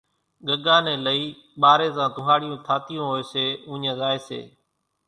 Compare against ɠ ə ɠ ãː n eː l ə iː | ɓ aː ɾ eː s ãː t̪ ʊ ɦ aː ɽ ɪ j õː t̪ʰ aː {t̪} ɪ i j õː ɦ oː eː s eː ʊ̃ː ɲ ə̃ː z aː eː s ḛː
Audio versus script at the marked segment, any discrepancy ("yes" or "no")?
no